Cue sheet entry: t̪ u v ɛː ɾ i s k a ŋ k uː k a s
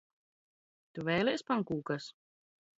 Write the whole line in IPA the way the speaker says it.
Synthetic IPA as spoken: t̪ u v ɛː l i s p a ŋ k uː k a s